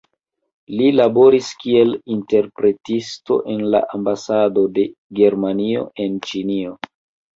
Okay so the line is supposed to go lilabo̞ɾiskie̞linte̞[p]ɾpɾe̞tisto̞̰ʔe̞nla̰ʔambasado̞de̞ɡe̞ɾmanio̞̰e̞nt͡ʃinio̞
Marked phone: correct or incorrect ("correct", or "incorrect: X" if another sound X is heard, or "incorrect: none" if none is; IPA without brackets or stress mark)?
incorrect: none